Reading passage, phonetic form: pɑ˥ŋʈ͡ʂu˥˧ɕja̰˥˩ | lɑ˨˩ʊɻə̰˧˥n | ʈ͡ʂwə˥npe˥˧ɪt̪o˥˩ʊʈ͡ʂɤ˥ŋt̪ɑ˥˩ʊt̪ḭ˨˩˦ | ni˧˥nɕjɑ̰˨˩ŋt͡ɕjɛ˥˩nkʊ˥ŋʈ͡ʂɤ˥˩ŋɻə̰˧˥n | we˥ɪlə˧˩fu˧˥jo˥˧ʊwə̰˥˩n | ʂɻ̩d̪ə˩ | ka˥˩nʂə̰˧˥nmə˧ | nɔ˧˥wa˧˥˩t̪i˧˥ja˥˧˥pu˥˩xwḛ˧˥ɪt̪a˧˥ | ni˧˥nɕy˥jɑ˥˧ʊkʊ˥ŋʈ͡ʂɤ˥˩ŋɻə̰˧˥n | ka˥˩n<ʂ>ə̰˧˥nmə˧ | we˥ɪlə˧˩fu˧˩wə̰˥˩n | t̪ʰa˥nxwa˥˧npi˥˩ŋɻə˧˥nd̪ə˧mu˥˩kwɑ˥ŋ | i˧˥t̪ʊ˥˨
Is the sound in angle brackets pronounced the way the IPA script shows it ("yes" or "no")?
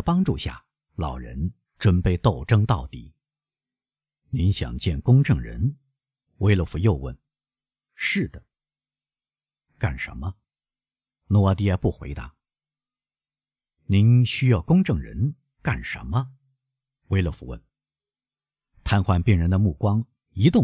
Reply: yes